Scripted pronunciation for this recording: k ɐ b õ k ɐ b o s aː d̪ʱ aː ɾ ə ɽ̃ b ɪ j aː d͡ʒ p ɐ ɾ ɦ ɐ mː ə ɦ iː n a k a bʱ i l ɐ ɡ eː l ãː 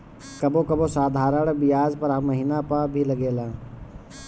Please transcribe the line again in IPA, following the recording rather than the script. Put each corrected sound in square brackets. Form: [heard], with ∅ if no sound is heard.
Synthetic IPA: k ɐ b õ k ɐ b o s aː d̪ʱ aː ɾ ə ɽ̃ b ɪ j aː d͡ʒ p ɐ ɾ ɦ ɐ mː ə ɦ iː n a [p] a bʱ i l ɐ ɡ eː l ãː